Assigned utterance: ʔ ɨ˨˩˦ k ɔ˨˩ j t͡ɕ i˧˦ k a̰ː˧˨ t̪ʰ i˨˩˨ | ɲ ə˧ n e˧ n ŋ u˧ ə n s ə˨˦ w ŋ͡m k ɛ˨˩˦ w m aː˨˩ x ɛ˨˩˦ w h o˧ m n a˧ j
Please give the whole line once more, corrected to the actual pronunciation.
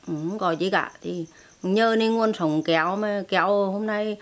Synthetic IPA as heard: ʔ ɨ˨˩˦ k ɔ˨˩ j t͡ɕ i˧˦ k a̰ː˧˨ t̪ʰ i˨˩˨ | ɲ əː˧ n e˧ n ŋ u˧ ə n s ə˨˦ w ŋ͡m k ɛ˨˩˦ w m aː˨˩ k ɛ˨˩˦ w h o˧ m n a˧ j